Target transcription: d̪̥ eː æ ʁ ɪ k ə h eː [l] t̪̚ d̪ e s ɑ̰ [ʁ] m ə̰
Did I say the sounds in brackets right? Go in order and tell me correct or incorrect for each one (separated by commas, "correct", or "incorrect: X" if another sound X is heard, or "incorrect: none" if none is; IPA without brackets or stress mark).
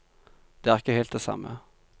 correct, incorrect: none